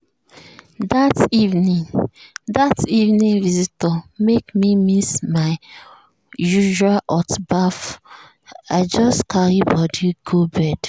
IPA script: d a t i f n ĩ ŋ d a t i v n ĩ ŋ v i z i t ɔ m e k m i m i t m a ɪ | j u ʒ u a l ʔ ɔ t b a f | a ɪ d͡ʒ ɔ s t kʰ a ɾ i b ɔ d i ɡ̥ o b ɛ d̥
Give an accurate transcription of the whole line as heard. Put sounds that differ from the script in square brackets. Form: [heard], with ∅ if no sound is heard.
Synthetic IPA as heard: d a t i [v] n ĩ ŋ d a t i v n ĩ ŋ v i z i t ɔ m e k m i m i [s] m a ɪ | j u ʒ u a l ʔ ɔ t b a f | a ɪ d͡ʒ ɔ s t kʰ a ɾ i b ɔ d i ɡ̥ o b ɛ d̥

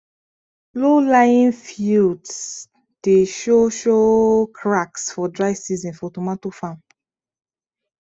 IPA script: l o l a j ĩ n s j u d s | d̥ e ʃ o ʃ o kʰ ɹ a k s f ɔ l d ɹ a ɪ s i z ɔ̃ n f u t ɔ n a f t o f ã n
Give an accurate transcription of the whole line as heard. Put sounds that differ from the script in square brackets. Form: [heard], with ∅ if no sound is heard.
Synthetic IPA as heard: l o l a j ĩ n [f] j u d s | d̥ e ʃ o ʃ o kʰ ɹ a k s f ɔ [∅] d ɹ a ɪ s i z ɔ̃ n f [ɔ] t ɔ [m] a [∅] t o f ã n

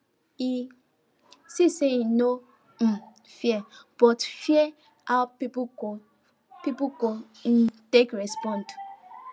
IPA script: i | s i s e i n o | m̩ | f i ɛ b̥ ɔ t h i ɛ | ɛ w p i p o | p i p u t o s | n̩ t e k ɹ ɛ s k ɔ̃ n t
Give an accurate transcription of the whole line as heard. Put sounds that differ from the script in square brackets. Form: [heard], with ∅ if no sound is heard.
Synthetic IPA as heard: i | s i s e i n o | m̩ | f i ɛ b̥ ɔ t [f] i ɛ | [a] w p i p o | p i p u [k] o [∅] | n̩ t e k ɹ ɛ s [p] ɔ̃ n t

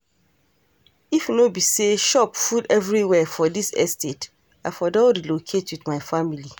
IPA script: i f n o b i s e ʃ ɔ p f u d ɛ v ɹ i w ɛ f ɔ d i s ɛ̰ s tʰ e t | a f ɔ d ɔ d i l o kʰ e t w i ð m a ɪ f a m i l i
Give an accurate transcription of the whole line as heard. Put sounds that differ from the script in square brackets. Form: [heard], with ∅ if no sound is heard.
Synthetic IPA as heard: i f n o b i s e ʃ ɔ p f u d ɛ v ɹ i w ɛ f ɔ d i s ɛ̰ s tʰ e t | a f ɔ d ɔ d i l o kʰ e t w i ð m a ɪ f a m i l i

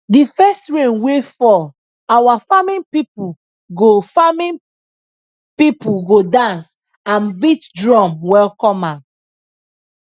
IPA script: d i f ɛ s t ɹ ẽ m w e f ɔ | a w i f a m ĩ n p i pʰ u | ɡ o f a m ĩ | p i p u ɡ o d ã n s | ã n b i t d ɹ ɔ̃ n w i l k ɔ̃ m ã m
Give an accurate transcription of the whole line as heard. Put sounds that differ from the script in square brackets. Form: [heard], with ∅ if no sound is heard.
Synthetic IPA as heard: d i f ɛ s t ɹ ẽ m w e f ɔ | a w [a] f a m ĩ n p i [p] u | ɡ o f a m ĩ | p i p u ɡ o d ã n s | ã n b i t d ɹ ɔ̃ [m] w [ɛ] l k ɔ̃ m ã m

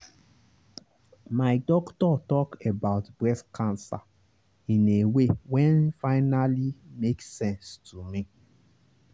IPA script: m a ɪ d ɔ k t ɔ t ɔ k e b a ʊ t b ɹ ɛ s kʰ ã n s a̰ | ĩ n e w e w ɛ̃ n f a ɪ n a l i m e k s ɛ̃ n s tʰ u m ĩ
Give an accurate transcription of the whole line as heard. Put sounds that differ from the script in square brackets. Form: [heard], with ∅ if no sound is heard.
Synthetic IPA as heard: m a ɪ d ɔ k t ɔ t ɔ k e b a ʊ t b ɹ ɛ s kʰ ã n s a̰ | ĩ n e w e w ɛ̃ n f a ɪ n a l i m e k s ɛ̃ n s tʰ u m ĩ

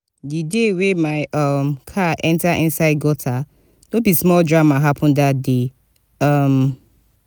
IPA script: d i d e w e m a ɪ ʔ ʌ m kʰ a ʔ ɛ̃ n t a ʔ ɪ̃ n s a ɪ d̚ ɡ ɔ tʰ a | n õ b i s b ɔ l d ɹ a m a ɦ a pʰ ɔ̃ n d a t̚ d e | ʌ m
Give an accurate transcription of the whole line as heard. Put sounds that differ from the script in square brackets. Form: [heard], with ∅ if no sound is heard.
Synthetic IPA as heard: d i d e w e m a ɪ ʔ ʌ m kʰ a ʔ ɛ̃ n t a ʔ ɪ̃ n s a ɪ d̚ ɡ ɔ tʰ a | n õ b i s [m] ɔ l d ɹ a m a ɦ a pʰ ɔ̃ n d a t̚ d e | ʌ m

